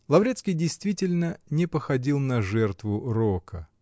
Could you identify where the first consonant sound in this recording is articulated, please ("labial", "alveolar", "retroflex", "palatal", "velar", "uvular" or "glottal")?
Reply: alveolar